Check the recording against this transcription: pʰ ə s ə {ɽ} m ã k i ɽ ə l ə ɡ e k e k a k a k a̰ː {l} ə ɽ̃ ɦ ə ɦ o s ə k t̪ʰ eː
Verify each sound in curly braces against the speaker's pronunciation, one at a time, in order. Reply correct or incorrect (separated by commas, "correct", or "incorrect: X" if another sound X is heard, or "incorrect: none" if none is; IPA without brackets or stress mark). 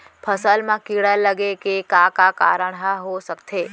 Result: incorrect: l, incorrect: ɾ